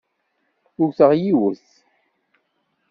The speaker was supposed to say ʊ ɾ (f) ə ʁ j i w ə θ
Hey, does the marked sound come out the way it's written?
no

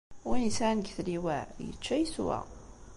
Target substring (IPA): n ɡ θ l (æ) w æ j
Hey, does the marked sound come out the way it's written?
no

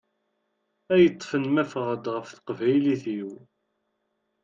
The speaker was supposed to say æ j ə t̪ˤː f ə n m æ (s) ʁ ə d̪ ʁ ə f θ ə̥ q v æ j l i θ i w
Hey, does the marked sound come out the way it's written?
no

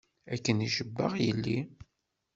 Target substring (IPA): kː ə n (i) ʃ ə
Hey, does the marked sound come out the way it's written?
yes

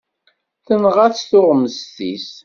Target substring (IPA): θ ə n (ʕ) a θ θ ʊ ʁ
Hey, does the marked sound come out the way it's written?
no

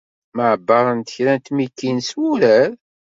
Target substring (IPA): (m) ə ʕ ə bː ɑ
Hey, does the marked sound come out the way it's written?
yes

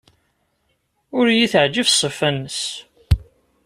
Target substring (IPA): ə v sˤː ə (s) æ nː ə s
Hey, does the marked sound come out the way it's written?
no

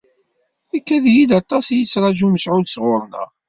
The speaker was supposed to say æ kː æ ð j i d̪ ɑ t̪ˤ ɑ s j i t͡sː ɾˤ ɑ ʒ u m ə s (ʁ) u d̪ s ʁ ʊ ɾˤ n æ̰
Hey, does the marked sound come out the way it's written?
no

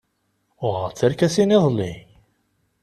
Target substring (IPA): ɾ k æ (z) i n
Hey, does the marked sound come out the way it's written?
no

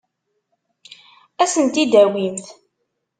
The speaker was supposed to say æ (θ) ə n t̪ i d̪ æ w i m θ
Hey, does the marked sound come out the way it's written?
no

